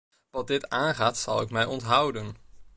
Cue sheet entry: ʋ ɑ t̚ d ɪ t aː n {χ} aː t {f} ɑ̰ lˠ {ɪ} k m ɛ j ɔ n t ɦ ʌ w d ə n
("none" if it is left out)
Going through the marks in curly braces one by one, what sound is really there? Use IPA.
χ, s, ɪ

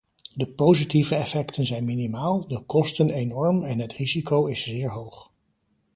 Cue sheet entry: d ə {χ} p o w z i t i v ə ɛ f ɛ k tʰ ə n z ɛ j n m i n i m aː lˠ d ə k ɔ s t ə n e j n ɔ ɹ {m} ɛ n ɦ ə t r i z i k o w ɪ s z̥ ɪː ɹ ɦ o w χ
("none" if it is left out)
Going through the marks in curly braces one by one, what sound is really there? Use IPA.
none, m

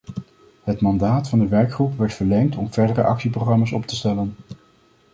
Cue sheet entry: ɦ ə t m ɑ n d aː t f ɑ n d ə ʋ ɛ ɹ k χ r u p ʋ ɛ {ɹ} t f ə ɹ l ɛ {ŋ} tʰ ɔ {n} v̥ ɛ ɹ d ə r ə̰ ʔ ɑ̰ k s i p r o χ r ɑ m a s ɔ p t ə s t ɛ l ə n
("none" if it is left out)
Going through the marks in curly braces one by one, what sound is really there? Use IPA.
ɹ, ŋ, m

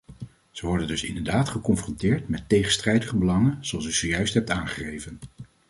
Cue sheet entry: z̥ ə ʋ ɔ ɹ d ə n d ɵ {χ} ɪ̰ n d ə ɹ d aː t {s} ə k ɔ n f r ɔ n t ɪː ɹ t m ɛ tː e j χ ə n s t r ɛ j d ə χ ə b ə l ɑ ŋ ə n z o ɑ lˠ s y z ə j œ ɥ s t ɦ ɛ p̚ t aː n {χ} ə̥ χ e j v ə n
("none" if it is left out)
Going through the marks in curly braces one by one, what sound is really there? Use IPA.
s, χ, χ

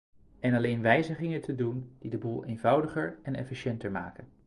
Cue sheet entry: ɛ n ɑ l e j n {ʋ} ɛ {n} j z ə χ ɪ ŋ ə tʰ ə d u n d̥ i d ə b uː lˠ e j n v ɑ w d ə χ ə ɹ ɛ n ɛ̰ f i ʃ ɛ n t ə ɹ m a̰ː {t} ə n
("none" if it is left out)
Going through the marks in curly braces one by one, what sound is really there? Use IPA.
ʋ, none, k

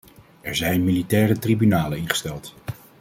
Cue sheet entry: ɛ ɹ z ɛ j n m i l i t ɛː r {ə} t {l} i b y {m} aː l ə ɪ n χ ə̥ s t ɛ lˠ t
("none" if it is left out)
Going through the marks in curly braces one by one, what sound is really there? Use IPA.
ə, r, n

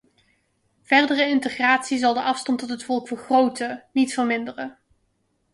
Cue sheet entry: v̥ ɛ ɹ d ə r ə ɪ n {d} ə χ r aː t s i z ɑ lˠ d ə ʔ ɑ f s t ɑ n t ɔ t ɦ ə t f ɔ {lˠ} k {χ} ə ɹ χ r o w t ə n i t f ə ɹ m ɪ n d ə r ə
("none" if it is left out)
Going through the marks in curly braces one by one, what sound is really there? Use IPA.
t, lˠ, f

